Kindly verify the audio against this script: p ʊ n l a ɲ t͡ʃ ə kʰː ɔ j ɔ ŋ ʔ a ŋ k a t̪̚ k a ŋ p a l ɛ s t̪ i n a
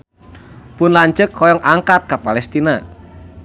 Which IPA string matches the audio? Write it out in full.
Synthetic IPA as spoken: p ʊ n l a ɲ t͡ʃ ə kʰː ɔ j ɔ ŋ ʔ a ŋ k a t̪̚ k a p a l ɛ s t̪ i n a